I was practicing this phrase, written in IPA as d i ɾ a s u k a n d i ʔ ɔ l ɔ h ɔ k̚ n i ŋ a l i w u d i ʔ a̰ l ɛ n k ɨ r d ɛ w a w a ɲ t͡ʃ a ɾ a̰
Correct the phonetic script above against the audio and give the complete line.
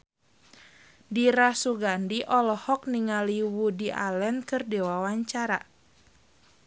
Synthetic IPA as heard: d i ɾ a s u ɡ a n d i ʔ ɔ l ɔ h ɔ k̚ n i ŋ a l i w u d i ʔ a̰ l ɛ n k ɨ r d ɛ w a w a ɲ t͡ʃ a ɾ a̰